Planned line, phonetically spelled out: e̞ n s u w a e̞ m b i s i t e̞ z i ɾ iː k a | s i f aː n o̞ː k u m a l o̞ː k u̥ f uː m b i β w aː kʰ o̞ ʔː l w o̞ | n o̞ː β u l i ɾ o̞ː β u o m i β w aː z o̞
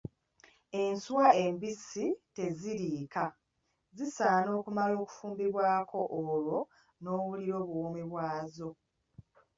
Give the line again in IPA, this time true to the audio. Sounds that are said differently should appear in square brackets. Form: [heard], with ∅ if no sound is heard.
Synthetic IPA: e̞ n s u w a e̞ m b i s i t e̞ z i ɾ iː k a | [z] i [s] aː n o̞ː k u m a l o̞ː k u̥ f uː m b i β w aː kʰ o̞ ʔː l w o̞ | n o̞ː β u l i ɾ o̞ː β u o m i β w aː z o̞